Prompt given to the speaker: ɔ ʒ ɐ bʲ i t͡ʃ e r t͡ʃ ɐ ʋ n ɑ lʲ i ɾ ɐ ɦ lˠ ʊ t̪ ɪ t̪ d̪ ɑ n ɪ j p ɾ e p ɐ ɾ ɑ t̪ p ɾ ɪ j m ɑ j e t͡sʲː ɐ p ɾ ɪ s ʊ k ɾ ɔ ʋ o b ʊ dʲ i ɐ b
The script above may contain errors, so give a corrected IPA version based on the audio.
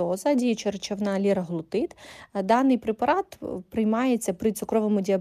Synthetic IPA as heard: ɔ z ɐ dʲ i t͡ʃ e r t͡ʃ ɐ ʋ n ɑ lʲ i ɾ ɐ ɦ lˠ ʊ t̪ ɪ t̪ d̪ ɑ n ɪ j p ɾ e p ɐ ɾ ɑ t̪ p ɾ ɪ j m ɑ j e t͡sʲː ɐ p ɾ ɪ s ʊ k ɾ ɔ ʋ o m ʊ dʲ i ɐ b